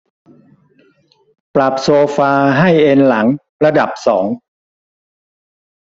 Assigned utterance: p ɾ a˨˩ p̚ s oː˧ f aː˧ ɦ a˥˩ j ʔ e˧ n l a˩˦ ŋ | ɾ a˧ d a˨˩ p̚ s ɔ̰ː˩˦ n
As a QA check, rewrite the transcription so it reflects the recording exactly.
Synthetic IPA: p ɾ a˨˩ p̚ s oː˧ f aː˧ ɦ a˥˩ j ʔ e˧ n l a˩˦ ŋ | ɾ a˧ d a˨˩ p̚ s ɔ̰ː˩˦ ŋ